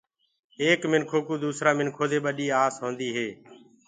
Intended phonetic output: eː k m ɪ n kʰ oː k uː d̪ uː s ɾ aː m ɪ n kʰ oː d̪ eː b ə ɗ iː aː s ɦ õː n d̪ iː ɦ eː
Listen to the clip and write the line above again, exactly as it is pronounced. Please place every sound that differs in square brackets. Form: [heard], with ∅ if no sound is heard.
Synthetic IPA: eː k m ɪ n kʰ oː k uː d̪ uː s ɾ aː m ɪ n kʰ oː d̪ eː [ɓ] ə ɗ iː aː s ɦ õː n d̪ iː ɦ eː